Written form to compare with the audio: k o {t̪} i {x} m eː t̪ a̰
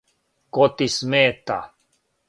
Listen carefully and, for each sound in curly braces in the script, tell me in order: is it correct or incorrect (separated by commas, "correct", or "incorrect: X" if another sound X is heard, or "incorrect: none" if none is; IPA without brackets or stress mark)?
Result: correct, incorrect: s